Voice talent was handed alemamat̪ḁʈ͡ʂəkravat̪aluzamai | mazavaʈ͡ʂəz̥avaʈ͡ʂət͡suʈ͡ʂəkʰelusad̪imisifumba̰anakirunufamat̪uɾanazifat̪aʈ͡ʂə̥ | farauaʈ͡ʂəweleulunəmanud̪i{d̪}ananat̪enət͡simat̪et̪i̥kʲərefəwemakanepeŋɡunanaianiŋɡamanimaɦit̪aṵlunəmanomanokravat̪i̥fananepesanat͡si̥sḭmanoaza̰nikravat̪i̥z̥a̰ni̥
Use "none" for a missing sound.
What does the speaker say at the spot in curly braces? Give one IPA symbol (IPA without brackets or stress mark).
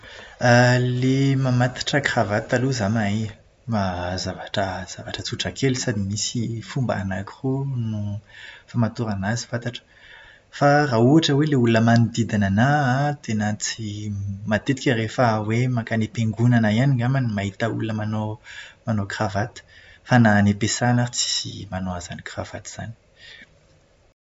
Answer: d̪